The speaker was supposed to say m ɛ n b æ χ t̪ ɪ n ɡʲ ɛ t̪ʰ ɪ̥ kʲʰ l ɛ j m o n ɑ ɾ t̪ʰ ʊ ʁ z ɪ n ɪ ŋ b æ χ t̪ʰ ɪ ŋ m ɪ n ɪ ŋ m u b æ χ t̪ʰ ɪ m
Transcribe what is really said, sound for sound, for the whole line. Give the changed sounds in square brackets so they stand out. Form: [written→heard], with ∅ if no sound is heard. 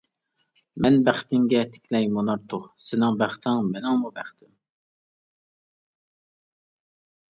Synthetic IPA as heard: m ɛ n b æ χ t̪ ɪ [n→ŋ] ɡʲ ɛ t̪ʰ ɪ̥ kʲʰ l ɛ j m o n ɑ ɾ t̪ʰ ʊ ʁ [z→s] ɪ n ɪ ŋ b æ χ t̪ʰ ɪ ŋ m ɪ n ɪ ŋ m u b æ χ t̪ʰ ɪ m